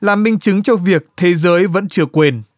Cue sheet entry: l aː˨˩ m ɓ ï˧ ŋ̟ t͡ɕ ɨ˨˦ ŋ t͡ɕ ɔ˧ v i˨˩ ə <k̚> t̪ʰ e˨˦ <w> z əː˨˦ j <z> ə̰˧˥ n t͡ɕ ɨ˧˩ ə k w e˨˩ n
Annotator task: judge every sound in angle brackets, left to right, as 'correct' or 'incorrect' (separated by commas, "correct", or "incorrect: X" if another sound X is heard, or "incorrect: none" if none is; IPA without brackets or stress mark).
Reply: correct, incorrect: none, incorrect: v